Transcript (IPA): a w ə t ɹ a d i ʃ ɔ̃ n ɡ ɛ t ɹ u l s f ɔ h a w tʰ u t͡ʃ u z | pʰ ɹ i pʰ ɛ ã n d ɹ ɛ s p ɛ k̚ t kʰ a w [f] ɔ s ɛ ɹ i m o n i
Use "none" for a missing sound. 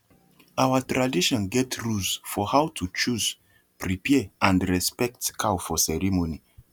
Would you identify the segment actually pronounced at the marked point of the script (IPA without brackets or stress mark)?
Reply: f